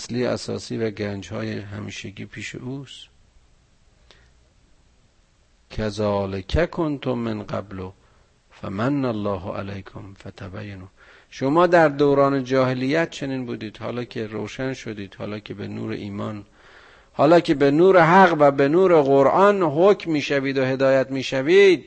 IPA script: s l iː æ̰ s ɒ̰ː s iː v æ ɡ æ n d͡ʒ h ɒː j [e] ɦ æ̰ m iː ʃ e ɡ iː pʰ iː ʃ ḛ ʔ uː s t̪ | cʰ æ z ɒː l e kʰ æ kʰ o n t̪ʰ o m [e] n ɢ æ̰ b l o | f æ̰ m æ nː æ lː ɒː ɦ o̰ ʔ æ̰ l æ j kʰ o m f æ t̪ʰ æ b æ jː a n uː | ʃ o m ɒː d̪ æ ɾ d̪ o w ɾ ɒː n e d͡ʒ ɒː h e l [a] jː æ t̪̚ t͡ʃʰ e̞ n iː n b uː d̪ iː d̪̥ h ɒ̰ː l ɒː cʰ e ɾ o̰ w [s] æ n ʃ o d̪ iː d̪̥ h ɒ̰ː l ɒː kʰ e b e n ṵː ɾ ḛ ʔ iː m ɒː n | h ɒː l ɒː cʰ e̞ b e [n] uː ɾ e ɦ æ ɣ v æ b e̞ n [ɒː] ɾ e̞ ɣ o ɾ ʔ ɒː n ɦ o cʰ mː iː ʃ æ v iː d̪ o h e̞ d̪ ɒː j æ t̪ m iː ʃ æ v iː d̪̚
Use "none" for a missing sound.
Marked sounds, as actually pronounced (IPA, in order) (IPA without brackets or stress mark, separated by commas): e, e, i, ʃ, n, uː